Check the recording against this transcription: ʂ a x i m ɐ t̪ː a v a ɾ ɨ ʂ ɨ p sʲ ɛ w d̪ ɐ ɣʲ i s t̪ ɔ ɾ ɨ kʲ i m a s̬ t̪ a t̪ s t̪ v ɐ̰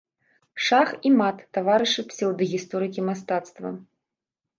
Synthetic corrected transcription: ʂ a x i m a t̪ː a v a ɾ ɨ ʂ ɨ p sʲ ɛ w d̪ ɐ ɣʲ i s t̪ ɔ ɾ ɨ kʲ i m a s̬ t̪ a t̪ s t̪ v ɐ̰